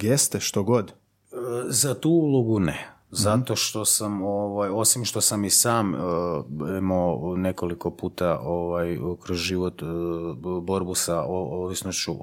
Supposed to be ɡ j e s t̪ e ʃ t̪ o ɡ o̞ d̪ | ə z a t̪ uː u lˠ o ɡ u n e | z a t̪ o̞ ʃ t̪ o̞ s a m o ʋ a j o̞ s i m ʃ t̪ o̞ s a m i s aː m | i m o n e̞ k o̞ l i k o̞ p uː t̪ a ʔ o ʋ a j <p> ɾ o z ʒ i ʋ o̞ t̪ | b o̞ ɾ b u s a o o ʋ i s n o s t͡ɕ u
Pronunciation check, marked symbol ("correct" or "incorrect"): incorrect